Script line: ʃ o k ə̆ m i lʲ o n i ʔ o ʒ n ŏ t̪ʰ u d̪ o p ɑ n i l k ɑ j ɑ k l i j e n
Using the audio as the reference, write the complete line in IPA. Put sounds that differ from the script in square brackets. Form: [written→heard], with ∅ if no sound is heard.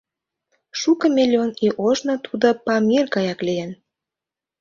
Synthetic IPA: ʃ [o→u] k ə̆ m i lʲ o n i ʔ o ʒ n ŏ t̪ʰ u d̪ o p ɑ [n→m] i [l→r] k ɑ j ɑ k l i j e n